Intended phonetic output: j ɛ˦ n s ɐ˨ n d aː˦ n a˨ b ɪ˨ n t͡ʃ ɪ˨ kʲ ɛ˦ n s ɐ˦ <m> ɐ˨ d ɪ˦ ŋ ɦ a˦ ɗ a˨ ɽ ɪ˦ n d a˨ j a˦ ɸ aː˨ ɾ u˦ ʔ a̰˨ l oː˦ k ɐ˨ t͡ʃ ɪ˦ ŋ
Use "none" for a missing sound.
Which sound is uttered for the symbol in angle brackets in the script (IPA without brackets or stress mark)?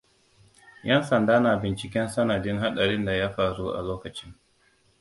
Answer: n